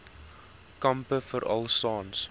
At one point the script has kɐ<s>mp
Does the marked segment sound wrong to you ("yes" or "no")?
yes